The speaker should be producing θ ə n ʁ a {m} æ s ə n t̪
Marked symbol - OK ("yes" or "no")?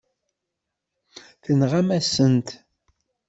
yes